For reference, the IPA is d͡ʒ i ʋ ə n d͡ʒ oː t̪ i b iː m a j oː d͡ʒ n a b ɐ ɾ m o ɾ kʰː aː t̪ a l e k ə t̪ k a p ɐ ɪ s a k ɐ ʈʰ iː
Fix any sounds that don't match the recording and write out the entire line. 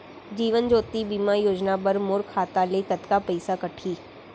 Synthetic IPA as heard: d͡ʒ iː ʋ ə n d͡ʒ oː t̪ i b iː m a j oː d͡ʒ n a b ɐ ɾ m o ɾ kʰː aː t̪ a l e k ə t̪ k a p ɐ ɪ s a k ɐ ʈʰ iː